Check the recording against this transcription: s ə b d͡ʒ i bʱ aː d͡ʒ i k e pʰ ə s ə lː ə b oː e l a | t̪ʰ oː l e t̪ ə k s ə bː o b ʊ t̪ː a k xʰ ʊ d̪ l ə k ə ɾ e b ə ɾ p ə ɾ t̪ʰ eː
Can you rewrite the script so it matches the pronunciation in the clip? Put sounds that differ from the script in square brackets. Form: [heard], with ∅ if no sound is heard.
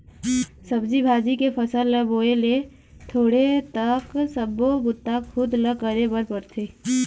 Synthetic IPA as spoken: s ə b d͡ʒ i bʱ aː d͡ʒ i k e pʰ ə s ə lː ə b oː e l [e] | t̪ʰ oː [ɽ] e t̪ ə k s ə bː o b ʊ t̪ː a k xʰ ʊ d̪ l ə k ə ɾ e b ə ɾ p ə ɾ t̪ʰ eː

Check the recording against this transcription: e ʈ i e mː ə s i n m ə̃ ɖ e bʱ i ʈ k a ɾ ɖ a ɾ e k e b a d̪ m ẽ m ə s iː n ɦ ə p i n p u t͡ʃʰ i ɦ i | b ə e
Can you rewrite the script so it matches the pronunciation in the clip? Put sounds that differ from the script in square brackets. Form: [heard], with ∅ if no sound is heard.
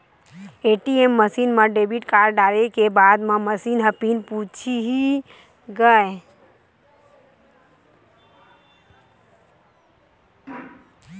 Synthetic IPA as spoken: e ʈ i e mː ə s i n m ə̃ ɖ e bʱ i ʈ k a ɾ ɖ a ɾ e k e b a d̪ m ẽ m ə s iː n ɦ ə p i n p u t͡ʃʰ i ɦ i | [ɡ] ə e

